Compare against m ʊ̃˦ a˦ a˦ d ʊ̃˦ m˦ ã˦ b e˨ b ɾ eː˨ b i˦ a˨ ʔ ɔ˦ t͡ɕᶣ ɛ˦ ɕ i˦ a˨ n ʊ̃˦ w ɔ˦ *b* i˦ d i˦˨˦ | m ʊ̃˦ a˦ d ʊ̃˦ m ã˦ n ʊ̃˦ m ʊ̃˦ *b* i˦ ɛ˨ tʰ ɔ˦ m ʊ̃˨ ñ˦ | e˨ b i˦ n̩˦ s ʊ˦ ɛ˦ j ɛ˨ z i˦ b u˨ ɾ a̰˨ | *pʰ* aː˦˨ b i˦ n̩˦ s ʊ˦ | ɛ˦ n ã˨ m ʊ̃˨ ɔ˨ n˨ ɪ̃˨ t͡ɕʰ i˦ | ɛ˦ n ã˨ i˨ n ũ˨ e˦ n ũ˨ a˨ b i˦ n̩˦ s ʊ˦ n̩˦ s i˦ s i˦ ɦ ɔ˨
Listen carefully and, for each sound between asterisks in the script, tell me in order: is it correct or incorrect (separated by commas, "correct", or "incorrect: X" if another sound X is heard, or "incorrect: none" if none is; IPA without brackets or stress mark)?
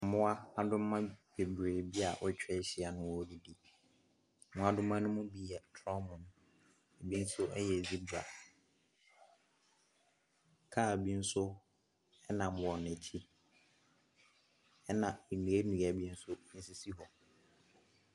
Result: incorrect: d, correct, incorrect: kʰ